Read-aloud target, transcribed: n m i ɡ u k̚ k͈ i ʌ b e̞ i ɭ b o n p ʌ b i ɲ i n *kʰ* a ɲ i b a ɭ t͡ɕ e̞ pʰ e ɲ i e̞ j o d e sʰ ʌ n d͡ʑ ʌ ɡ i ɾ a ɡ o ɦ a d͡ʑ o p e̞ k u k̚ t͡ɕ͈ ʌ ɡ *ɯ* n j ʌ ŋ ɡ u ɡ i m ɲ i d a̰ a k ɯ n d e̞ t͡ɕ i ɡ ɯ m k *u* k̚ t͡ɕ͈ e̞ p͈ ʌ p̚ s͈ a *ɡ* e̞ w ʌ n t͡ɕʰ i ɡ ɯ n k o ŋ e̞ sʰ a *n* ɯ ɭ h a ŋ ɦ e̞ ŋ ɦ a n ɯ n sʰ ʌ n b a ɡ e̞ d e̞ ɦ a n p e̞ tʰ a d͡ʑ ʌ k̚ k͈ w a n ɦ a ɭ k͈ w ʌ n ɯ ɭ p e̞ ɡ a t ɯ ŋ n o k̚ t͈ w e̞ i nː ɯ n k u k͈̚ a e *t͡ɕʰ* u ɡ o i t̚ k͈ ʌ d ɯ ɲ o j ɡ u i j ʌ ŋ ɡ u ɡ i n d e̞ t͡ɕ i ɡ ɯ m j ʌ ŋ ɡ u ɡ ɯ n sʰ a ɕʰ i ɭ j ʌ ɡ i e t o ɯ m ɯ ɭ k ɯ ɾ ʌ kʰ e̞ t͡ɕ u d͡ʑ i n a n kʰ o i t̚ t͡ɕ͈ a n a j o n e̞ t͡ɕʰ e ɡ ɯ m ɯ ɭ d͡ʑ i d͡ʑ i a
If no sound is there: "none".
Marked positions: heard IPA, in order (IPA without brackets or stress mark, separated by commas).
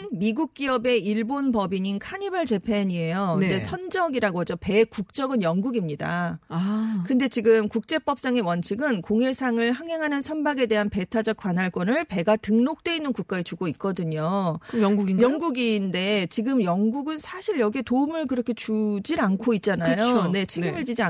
kʰ, ɯ, u, ŋ, ŋ, t͡ɕ